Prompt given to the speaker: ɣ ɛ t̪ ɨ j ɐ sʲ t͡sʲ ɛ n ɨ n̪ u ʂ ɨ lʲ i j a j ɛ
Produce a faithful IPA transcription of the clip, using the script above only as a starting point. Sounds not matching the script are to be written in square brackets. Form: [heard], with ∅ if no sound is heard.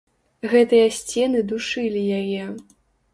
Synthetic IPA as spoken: ɣ ɛ t̪ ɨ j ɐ sʲ t͡sʲ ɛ n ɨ [d̪] u ʂ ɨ lʲ i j a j ɛ